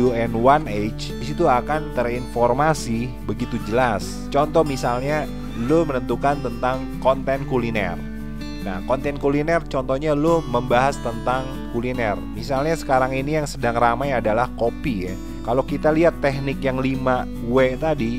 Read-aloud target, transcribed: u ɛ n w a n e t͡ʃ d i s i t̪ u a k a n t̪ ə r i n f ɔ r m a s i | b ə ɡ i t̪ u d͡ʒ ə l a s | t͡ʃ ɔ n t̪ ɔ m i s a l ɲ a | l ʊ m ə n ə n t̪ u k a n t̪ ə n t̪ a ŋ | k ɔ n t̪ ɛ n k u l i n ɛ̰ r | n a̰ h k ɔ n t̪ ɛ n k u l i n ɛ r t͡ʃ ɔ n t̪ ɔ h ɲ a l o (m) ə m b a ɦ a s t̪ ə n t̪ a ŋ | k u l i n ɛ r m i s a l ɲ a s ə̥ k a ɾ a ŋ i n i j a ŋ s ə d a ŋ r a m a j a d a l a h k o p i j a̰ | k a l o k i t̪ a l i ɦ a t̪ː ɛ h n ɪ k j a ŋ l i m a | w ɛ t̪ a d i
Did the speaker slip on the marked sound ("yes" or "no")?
no